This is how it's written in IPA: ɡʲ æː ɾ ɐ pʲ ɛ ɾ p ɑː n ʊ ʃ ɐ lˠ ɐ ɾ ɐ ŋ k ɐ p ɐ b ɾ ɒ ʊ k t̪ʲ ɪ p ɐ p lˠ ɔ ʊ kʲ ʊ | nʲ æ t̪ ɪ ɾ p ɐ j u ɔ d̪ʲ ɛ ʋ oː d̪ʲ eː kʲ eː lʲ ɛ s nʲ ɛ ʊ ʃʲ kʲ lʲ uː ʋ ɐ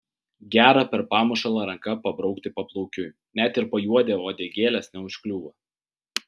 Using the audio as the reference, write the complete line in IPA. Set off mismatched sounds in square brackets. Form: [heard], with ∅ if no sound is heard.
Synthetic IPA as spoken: ɡʲ æː ɾ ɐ pʲ ɛ ɾ p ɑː [m] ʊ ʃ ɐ lˠ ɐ ɾ ɐ ŋ k ɐ p ɐ b ɾ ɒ ʊ k t̪ʲ ɪ p ɐ p lˠ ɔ ʊ kʲ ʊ | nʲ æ t̪ ɪ ɾ p ɐ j u ɔ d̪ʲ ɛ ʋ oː d̪ʲ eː [ɡʲ] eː lʲ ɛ s nʲ ɛ ʊ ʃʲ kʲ lʲ uː ʋ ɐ